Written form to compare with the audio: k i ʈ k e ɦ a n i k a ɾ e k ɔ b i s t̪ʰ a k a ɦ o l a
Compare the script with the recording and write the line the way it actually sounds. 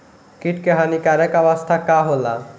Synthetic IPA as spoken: k i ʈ k e ɦ a n i k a ɾ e k ɔ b a s t̪ʰ a k a ɦ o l a